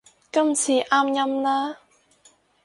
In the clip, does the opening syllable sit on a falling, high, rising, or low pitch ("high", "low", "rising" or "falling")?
high